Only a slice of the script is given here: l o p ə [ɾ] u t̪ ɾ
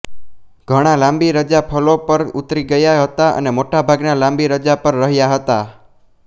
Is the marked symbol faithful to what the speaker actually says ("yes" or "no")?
yes